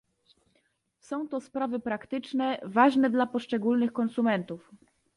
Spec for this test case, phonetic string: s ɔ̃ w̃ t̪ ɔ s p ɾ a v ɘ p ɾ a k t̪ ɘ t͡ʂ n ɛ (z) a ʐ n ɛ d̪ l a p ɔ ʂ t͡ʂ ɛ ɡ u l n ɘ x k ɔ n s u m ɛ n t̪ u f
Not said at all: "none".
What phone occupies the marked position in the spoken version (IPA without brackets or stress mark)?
v